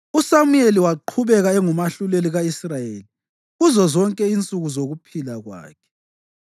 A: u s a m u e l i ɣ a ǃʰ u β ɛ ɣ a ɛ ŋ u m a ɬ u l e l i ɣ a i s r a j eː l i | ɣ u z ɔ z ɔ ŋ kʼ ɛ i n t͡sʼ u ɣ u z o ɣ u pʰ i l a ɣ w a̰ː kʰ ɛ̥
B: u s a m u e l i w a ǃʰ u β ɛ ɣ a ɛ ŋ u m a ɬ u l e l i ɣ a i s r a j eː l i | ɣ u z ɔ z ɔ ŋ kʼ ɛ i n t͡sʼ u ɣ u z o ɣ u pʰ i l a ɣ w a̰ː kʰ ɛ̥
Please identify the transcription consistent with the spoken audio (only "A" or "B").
B